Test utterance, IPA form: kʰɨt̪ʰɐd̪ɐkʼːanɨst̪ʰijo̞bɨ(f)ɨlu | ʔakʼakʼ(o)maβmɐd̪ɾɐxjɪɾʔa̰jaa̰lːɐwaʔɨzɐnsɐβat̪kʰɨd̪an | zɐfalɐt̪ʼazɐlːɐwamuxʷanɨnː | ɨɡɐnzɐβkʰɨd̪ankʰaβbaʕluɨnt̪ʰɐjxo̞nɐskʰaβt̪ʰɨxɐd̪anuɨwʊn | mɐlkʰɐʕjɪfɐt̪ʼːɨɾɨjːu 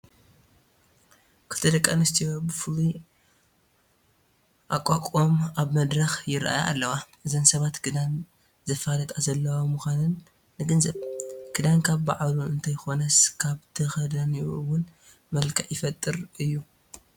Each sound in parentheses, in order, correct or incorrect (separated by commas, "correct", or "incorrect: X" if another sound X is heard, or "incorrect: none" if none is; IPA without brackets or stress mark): correct, correct